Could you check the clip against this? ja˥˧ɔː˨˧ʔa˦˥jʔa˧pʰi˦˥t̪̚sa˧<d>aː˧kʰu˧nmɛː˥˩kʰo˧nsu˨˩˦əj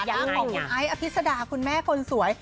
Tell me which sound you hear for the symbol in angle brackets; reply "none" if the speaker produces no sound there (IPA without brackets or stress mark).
d